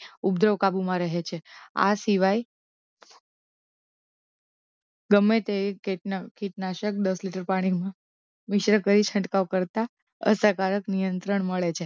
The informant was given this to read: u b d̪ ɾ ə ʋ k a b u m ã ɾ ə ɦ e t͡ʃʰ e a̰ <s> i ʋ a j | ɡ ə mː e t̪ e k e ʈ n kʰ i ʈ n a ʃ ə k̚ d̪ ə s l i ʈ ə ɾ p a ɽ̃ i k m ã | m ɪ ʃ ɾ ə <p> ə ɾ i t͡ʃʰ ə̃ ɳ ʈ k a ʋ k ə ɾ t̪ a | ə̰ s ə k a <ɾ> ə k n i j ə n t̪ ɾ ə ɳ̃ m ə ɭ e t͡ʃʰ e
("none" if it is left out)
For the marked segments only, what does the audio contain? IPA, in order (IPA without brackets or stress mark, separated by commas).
s, k, ɾ